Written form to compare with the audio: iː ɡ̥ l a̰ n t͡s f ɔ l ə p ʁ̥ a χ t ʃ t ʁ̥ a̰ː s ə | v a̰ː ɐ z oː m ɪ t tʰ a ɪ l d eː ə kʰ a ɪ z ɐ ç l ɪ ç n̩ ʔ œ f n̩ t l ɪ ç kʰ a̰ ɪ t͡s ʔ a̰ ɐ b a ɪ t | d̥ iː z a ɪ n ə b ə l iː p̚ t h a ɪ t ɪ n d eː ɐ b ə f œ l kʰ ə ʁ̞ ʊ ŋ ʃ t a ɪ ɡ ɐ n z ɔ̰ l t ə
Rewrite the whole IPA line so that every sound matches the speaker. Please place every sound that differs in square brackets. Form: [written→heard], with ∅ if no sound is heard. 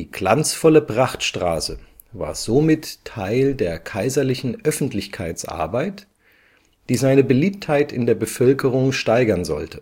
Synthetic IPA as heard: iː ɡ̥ l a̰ n t͡s f ɔ l ə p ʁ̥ a χ t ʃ t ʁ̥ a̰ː s ə | v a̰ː ɐ z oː m ɪ t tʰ a ɪ l d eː [ə→ɐ] kʰ a ɪ z ɐ [ç→∅] l ɪ ç n̩ ʔ œ f n̩ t l ɪ ç kʰ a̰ ɪ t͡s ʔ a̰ ɐ b a ɪ t | d̥ iː z a ɪ n ə b ə l iː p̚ t h a ɪ t ɪ n d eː ɐ b ə f œ l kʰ ə ʁ̞ ʊ ŋ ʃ t a ɪ ɡ ɐ n z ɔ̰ l t ə